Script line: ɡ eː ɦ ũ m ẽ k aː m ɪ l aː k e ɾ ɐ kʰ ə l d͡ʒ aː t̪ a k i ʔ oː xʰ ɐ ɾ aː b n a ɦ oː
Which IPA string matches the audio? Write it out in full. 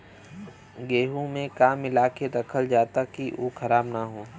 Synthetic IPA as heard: ɡ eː ɦ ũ m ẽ k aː m ɪ l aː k e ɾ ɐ kʰ ə l d͡ʒ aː t̪ a k i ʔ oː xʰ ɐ ɾ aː b n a ɦ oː